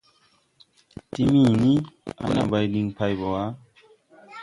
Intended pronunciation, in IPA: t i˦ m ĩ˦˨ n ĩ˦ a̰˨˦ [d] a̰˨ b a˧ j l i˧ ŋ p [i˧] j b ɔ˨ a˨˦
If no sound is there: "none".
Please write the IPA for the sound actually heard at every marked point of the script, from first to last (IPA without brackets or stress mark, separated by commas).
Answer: n, a˧